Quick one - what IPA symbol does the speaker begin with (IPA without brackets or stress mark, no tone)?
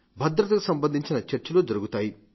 bʱ